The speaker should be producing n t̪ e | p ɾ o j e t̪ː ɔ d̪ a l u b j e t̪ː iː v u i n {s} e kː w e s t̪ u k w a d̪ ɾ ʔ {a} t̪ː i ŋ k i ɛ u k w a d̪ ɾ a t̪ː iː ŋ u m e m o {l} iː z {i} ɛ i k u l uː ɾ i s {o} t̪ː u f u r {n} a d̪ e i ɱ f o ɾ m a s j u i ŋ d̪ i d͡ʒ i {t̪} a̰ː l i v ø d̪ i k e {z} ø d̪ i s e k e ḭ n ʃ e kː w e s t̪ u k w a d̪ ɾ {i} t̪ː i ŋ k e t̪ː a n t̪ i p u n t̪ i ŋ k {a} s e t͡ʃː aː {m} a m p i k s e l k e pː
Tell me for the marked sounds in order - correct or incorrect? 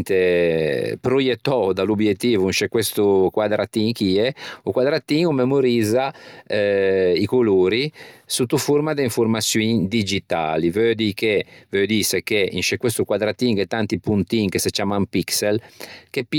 incorrect, correct, incorrect, incorrect, incorrect, incorrect, correct, incorrect, incorrect, incorrect, correct

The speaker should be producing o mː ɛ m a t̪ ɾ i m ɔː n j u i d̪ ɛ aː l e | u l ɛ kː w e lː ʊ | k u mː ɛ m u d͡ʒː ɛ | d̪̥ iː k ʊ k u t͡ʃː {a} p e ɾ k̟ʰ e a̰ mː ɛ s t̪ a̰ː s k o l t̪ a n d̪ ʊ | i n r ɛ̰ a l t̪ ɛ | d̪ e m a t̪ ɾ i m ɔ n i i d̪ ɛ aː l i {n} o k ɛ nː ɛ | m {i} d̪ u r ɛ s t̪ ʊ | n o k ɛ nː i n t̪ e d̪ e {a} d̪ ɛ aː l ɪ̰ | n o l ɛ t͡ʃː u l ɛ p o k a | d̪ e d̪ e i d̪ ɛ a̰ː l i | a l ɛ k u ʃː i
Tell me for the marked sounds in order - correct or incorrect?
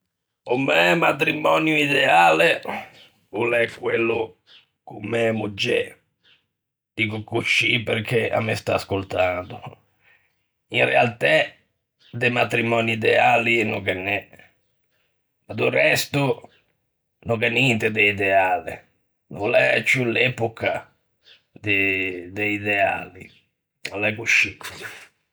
incorrect, correct, incorrect, incorrect

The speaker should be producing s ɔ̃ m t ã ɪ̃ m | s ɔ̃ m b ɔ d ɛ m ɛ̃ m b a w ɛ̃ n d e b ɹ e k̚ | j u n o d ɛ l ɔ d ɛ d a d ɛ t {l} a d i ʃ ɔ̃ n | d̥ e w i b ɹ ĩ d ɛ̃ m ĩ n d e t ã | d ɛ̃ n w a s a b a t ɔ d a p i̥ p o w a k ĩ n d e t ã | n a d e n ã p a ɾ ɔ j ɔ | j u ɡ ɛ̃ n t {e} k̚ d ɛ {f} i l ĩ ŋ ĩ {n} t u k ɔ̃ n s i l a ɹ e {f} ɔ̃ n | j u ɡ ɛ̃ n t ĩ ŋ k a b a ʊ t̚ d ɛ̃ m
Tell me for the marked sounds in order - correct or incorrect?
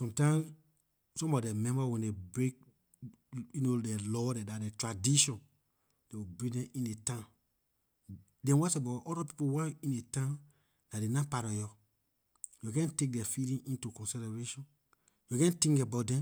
incorrect, correct, correct, correct, incorrect

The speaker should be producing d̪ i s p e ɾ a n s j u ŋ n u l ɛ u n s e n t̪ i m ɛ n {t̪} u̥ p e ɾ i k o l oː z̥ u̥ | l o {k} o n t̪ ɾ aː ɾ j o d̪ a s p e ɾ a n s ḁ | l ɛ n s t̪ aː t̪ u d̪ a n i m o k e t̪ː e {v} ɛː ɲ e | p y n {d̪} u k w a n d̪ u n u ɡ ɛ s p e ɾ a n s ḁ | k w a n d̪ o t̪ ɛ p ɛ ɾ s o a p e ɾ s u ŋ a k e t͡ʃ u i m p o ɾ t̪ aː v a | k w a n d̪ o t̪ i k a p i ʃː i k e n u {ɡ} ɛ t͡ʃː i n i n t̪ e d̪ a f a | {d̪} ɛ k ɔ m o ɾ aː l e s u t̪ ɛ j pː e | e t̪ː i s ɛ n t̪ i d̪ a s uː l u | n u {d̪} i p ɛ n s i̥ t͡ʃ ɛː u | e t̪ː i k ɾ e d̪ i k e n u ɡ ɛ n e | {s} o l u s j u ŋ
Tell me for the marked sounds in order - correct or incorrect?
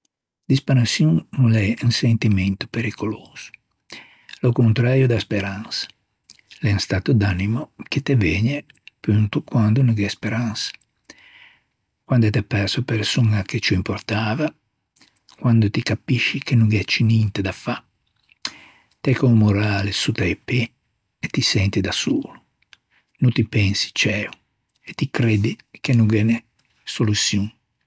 correct, correct, correct, incorrect, correct, incorrect, incorrect, correct

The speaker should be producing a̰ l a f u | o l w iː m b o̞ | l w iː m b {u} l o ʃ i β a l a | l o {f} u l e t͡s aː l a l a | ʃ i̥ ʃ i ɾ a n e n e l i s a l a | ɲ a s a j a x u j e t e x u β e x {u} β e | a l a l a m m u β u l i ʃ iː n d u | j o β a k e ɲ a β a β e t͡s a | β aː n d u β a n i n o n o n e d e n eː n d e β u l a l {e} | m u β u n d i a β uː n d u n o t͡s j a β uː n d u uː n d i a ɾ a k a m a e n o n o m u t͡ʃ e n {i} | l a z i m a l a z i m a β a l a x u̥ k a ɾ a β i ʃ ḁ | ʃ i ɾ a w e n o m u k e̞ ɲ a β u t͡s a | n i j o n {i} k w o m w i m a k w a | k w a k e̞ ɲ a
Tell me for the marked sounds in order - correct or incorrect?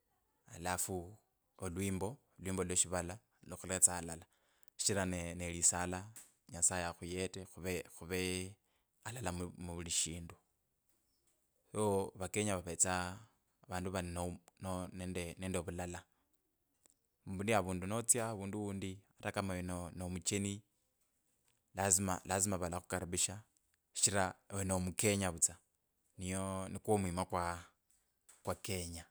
incorrect, incorrect, correct, incorrect, correct, correct

